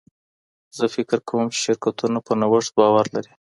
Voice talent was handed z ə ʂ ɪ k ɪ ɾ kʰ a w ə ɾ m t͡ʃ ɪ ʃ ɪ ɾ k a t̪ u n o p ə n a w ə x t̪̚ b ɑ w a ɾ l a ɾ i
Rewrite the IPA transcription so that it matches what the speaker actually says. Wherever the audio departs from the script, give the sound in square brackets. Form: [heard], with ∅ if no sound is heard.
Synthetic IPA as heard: z ə [f] ɪ k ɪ ɾ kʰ a w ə [∅] m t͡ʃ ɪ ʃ ɪ ɾ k a t̪ u n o p ə n a w ə [ʂ] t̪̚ b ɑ w a ɾ l a ɾ i